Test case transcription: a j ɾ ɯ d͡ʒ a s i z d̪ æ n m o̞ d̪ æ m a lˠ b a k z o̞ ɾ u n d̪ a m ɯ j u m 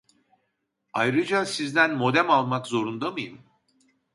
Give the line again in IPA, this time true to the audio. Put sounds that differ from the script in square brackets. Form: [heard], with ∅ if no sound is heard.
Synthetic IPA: a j ɾ ɯ d͡ʒ a s i z d̪ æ n m o̞ d̪ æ m a lˠ [m] a k z o̞ ɾ u n d̪ a m ɯ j [ɯ] m